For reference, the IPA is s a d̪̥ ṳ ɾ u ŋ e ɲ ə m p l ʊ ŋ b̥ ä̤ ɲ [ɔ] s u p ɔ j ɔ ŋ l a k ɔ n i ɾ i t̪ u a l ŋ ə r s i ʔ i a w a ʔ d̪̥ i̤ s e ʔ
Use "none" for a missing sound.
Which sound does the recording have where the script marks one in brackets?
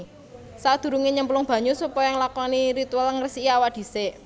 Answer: u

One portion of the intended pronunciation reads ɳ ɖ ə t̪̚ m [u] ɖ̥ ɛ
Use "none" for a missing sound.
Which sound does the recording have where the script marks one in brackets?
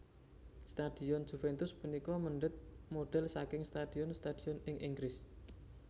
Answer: o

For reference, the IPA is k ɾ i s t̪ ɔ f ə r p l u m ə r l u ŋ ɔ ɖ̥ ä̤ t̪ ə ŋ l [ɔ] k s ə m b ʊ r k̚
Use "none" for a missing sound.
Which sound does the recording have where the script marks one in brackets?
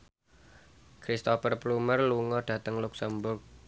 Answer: u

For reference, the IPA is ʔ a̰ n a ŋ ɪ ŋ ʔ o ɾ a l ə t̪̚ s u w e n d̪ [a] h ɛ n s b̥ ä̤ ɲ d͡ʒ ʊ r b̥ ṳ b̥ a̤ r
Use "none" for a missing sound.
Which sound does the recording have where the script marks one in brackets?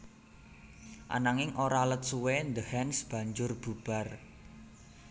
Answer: ə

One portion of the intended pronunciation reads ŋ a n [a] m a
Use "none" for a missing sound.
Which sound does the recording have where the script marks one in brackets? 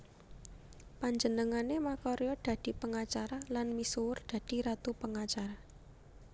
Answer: e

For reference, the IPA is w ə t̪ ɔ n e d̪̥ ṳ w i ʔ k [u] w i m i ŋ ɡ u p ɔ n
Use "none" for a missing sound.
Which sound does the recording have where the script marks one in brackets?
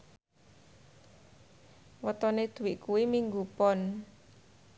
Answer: u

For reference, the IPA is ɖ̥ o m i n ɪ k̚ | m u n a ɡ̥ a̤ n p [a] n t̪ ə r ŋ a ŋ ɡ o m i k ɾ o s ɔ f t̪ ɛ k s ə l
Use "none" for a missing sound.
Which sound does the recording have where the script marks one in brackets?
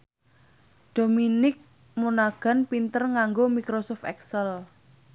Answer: i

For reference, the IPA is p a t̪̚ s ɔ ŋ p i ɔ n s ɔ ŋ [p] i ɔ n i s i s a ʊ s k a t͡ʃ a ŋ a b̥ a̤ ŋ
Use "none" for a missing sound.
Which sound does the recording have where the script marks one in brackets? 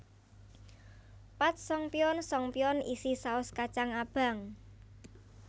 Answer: p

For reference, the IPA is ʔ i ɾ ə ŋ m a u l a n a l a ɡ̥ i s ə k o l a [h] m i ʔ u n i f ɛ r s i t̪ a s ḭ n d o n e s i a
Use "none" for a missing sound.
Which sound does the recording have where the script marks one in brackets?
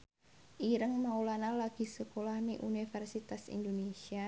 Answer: h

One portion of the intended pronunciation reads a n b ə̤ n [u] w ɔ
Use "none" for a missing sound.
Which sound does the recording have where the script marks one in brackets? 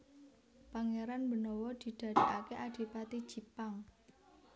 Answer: ɔ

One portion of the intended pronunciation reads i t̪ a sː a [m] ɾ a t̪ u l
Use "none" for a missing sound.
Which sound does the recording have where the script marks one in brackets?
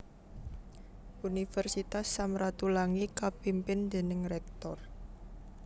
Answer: m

